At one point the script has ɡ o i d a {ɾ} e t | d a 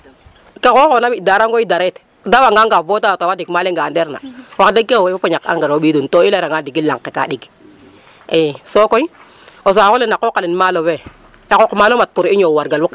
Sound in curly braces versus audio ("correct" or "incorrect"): correct